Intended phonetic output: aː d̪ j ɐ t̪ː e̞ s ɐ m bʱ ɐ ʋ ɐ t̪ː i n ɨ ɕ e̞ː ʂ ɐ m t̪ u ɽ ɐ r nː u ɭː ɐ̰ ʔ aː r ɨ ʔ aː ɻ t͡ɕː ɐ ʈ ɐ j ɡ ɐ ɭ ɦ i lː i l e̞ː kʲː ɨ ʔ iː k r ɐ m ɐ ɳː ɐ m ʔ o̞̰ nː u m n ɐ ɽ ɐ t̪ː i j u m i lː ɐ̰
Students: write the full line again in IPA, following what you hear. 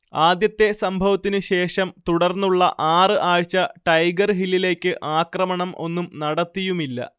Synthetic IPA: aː d̪ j ɐ t̪ː e̞ s ɐ m bʱ ɐ ʋ ɐ t̪ː i n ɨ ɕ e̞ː ʂ ɐ m t̪ u ɽ ɐ r nː u ɭː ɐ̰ ʔ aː r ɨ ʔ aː ɻ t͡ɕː ɐ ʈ ɐ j ɡ ɐ r ɦ i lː i l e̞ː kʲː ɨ ʔ aː k r ɐ m ɐ ɳ ɐ m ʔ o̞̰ nː u m n ɐ ɽ ɐ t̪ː i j u m i lː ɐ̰